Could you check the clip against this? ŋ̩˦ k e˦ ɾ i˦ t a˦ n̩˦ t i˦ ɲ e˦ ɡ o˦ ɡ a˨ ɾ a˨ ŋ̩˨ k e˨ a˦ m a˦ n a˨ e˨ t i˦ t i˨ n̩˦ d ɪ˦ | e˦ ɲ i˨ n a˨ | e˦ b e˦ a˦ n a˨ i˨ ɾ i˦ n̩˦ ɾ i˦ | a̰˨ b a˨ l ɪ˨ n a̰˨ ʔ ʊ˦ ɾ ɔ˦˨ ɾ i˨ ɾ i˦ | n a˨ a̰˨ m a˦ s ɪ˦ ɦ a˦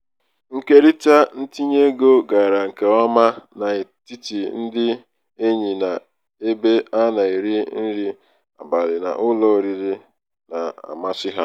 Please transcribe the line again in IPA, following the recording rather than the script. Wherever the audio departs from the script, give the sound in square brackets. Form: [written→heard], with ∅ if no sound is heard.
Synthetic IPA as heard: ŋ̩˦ k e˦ ɾ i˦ t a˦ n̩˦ t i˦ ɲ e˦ ɡ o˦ ɡ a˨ ɾ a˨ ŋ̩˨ k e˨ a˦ m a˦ n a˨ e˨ t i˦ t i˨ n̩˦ d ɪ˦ | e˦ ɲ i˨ n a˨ | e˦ b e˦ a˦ n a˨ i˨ ɾ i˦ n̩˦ ɾ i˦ | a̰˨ b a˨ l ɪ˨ n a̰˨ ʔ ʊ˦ [ɾ→l] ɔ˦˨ ɾ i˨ ɾ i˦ | n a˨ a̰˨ m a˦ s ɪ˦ ɦ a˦